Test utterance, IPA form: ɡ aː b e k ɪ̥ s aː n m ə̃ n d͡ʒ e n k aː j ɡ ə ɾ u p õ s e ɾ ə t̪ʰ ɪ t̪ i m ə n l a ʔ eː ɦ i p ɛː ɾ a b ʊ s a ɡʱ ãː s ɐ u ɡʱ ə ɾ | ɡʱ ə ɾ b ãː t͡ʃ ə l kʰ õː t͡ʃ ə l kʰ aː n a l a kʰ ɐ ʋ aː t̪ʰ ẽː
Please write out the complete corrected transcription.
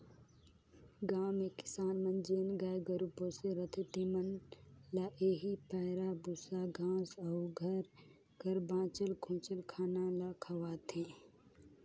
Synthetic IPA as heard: ɡ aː m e k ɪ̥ s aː n m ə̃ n d͡ʒ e n ɡ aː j ɡ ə ɾ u p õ s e ɾ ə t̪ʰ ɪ t̪ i m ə n l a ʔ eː ɦ i p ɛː ɾ a b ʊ s a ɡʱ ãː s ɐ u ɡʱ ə ɾ | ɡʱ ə ɾ b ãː t͡ʃ ə l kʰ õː t͡ʃ ə l kʰ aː n a l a kʰ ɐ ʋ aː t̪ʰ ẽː